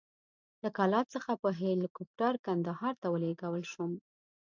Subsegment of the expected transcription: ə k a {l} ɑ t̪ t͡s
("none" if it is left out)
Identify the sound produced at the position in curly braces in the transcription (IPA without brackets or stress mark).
l